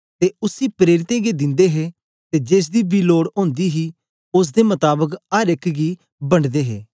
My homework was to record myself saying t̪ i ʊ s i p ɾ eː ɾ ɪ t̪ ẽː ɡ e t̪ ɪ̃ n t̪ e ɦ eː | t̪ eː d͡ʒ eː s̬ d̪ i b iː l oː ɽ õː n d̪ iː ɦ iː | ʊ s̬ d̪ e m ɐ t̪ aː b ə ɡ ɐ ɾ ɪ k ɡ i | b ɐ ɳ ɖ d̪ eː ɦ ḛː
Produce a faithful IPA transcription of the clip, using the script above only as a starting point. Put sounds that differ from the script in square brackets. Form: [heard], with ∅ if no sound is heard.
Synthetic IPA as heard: t̪ [e] ʊ s i p ɾ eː ɾ ɪ t̪ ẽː ɡ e [d̪] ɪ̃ n [d̪] e ɦ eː | t̪ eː d͡ʒ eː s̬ d̪ i b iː l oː ɽ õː n d̪ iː ɦ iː | ʊ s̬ d̪ e m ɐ t̪ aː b ə [k] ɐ ɾ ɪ k ɡ i | b ɐ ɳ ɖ d̪ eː ɦ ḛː